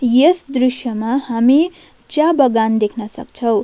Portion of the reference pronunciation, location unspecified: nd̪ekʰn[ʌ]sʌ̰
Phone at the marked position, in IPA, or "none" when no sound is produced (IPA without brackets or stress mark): ʌ